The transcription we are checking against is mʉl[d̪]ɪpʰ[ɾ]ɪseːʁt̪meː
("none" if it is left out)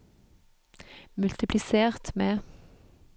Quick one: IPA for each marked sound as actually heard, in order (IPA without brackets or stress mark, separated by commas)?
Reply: t̪, l